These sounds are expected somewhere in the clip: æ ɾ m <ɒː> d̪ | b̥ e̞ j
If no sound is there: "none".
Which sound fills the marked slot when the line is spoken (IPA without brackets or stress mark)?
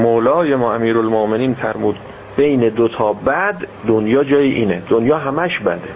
uː